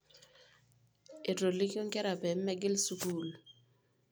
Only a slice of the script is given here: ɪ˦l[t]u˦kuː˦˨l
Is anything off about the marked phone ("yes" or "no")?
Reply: yes